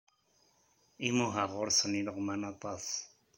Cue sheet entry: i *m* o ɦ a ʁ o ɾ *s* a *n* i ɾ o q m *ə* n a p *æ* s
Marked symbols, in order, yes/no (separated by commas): yes, yes, yes, no, no